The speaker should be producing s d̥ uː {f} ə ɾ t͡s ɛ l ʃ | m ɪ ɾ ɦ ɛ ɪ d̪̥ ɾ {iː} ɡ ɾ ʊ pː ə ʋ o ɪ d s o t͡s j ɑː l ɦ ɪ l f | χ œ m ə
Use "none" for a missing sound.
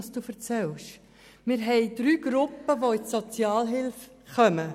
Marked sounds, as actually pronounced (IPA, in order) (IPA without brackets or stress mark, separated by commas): f, yː